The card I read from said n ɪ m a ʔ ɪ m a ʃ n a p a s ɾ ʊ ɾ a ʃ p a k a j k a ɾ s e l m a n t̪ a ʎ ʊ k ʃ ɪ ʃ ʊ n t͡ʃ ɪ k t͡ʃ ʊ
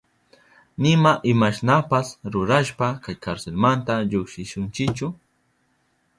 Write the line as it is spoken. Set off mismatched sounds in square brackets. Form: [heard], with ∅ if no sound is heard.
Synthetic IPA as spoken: n ɪ m a ʔ ɪ m a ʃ n a p a s ɾ ʊ ɾ a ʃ p a k a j k a ɾ s e l m a n t̪ a ʎ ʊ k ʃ ɪ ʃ ʊ n t͡ʃ ɪ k t͡ʃ ʊ